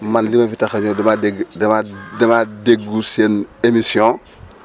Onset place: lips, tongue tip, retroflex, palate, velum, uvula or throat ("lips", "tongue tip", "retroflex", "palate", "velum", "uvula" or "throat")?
lips